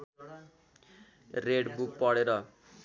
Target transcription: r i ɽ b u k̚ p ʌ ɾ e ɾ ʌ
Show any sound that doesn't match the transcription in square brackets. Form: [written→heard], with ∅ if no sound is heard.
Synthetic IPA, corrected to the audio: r [i→e] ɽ b u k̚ p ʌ [ɾ→ɽ] e ɾ ʌ

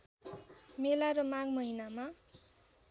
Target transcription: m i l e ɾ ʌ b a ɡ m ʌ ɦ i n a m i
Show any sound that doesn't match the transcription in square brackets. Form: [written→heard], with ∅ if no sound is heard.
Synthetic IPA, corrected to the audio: m [i→e] l [e→a] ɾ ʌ [b→m] a ɡ m ʌ ɦ i n a m [i→a]

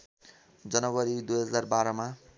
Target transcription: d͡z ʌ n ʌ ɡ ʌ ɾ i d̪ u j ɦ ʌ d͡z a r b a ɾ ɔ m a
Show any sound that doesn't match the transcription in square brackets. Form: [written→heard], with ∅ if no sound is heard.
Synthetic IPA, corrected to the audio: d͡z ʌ n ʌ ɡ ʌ ɾ i d̪ u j ɦ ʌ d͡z a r b a ɾ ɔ m a

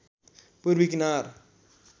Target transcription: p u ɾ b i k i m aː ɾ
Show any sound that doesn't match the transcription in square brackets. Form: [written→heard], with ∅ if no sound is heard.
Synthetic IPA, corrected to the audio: p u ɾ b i k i [m→n] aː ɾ

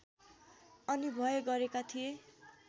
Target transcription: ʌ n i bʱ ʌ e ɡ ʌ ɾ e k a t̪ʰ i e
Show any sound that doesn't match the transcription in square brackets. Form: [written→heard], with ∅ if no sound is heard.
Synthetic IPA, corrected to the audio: ʌ n i bʱ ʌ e ɡ ʌ ɾ e k a t̪ʰ i e

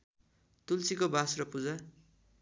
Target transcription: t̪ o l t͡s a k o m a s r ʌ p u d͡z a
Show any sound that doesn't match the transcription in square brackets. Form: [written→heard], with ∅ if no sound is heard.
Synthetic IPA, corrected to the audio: t̪ [o→u] l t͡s [a→i] k o [m→b] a s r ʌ p u d͡z a

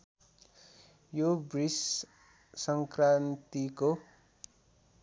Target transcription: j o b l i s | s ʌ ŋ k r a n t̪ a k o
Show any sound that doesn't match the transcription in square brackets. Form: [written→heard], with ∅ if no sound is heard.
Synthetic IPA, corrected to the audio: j o b [l→r] i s | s ʌ ŋ k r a n t̪ [a→i] k o

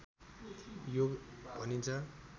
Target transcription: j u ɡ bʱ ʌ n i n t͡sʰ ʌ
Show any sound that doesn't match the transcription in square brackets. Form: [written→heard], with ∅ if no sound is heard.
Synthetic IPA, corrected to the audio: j [u→o] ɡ bʱ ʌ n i n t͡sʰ ʌ

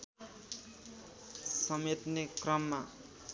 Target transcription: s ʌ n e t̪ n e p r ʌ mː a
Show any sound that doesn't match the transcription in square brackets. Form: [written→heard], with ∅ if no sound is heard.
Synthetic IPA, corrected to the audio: s ʌ [n→m] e t̪ n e [p→k] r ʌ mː a

